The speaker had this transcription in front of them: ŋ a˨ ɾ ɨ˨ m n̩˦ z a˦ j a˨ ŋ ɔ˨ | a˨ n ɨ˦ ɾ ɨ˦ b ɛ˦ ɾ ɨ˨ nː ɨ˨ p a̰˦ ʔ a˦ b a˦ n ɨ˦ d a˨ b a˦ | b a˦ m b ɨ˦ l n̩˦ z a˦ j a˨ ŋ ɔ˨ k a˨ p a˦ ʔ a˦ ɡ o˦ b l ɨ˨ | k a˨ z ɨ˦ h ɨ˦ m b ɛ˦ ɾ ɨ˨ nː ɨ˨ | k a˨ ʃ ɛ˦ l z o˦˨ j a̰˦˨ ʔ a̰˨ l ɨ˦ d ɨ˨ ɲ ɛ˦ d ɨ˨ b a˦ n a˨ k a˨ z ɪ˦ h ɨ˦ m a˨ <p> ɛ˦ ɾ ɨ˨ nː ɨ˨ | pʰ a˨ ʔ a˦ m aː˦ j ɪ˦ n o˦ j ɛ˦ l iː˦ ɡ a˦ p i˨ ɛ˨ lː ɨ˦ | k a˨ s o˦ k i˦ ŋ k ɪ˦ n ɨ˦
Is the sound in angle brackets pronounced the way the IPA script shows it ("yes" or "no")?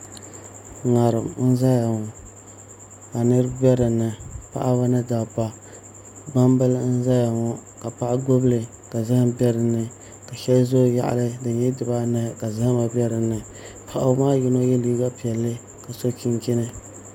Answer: no